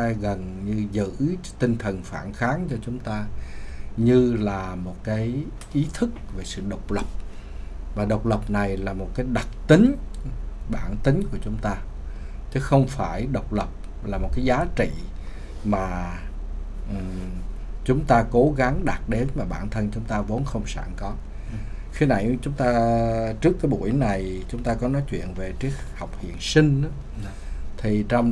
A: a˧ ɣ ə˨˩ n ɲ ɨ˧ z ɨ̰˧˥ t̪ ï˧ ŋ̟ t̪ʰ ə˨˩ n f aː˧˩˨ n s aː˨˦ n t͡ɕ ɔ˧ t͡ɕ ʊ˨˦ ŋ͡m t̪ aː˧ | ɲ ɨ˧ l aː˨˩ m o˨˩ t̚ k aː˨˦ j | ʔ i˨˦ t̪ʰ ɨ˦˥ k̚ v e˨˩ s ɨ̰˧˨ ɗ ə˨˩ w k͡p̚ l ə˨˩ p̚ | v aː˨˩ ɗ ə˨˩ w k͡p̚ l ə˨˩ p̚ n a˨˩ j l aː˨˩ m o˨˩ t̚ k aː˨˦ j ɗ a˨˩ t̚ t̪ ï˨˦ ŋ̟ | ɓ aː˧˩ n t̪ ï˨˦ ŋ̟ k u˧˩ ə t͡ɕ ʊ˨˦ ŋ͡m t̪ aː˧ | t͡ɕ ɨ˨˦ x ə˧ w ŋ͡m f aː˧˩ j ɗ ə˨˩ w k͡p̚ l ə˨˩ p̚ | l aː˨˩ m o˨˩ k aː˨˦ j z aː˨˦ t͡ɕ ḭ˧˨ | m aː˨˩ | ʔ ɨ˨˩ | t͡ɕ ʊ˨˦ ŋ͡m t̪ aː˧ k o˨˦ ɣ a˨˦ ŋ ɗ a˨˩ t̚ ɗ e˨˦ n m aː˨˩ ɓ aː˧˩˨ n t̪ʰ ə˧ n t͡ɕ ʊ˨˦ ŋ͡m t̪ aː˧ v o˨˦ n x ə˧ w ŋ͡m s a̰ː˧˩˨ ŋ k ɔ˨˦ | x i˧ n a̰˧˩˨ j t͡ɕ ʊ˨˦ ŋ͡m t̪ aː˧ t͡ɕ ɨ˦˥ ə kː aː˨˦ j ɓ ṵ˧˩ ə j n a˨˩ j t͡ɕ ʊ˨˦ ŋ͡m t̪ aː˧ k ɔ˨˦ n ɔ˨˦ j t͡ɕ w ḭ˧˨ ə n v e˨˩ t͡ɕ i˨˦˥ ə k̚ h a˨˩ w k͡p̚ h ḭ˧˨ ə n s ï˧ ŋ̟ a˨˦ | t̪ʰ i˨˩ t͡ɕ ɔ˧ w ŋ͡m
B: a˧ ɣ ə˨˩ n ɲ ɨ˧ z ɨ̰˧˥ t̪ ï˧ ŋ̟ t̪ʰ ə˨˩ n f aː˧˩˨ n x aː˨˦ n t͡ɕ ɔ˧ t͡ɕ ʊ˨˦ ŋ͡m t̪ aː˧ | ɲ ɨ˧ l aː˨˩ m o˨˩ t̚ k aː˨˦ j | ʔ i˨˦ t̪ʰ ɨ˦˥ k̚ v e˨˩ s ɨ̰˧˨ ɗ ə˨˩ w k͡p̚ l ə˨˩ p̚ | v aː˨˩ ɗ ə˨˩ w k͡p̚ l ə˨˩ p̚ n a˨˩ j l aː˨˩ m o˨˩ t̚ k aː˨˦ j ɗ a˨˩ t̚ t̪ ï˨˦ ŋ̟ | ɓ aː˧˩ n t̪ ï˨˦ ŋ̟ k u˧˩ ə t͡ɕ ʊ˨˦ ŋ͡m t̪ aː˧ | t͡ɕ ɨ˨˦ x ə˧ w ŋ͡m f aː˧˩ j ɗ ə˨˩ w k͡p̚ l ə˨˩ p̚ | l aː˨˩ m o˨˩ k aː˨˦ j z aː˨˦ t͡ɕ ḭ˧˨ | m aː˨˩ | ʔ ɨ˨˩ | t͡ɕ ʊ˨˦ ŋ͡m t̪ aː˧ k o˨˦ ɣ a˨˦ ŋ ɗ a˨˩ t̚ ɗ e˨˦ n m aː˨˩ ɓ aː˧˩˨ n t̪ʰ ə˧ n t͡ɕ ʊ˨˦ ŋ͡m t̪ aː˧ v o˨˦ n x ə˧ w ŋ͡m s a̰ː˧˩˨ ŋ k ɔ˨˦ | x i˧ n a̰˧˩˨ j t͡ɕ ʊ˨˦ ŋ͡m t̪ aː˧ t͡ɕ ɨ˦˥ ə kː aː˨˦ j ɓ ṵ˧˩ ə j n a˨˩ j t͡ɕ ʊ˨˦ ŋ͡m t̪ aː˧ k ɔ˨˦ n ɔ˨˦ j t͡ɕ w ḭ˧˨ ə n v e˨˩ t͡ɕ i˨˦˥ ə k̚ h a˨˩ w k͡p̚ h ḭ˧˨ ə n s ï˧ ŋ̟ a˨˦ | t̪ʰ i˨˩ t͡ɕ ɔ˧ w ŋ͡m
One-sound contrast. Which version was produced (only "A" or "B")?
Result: B